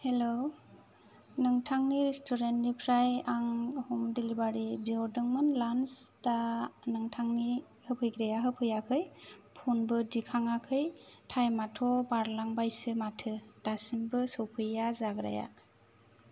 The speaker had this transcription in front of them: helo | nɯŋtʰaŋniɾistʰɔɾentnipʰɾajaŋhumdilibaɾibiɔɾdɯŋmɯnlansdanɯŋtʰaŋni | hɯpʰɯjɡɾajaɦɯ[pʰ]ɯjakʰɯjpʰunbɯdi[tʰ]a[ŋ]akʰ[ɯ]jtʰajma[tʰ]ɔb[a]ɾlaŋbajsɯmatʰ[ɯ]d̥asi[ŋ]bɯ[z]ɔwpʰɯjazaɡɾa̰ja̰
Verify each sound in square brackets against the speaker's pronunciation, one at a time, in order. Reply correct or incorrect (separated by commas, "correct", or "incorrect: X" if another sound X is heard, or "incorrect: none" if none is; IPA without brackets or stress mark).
correct, incorrect: kʰ, correct, correct, correct, correct, correct, incorrect: m, incorrect: s